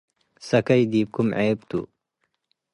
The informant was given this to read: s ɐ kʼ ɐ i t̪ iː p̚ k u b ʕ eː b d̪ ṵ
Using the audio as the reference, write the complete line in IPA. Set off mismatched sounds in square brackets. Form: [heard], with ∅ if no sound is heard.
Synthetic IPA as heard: s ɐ [k] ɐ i [d̪] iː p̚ k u [m] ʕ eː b [t̪] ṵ